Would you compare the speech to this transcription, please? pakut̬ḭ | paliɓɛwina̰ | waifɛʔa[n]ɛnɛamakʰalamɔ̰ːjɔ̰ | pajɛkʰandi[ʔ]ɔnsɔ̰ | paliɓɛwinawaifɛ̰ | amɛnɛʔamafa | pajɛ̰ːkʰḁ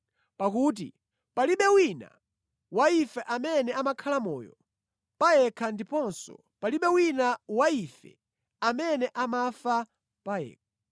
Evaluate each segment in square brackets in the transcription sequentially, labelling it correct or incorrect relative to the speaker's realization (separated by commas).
incorrect, incorrect